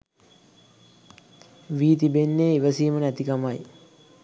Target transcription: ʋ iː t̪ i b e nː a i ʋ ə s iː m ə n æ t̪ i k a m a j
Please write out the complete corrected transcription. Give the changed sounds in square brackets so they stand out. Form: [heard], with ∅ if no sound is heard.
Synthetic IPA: ʋ iː t̪ i b e nː [e] i ʋ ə s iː m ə n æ t̪ i k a m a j